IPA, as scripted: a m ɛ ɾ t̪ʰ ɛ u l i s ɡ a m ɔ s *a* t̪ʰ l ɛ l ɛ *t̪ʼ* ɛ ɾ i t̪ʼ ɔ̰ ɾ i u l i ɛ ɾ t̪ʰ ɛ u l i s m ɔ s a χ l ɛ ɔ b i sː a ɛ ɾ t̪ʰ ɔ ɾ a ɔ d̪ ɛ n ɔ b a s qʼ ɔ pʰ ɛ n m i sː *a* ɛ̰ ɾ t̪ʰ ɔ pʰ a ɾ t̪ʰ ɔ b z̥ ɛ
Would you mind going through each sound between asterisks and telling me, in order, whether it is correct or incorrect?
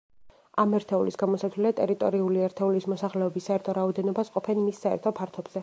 correct, correct, correct

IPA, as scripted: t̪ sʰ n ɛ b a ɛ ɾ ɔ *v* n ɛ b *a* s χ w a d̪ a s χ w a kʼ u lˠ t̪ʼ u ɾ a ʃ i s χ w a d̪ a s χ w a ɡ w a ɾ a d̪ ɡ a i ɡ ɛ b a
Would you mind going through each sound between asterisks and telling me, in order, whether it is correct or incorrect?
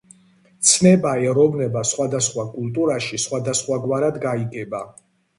correct, correct

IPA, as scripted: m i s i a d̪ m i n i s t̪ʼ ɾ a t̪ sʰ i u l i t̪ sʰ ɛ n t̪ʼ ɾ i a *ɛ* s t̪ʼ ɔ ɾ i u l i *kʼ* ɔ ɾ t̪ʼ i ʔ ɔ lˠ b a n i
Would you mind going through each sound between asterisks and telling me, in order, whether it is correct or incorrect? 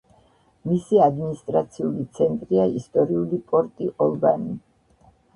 incorrect: i, incorrect: pʼ

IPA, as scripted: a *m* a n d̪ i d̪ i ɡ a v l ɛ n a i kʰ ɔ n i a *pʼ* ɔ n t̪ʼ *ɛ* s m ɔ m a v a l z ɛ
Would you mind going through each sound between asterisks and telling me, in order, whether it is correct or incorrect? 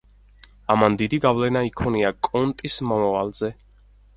correct, incorrect: kʼ, incorrect: i

